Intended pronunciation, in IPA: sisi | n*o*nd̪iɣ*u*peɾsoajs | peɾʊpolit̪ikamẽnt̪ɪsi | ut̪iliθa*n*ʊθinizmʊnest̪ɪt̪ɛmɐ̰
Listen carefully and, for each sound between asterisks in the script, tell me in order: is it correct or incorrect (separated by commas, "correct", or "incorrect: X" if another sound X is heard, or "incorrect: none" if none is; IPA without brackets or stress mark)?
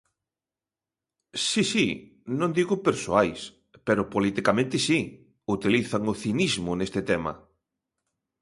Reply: incorrect: õ, incorrect: ʊ, incorrect: ŋ